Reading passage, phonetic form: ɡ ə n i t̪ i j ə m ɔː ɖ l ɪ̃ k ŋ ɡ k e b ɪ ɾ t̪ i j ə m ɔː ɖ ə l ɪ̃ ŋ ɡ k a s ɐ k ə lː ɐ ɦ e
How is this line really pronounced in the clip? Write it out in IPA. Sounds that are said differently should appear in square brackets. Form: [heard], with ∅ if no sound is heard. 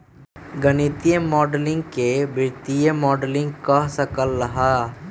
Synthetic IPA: ɡ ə n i t̪ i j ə m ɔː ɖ l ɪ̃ [∅] ŋ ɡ k e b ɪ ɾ t̪ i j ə m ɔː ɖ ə l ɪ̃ ŋ ɡ k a s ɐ k ə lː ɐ ɦ [a]